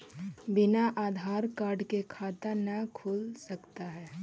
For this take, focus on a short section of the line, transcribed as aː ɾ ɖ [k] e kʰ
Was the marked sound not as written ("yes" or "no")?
no